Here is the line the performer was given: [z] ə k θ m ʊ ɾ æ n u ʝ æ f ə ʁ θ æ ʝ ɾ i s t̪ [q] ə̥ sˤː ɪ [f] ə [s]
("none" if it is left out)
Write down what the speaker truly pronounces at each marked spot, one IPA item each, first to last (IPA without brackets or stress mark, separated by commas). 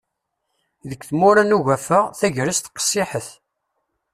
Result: ð, q, ħ, θ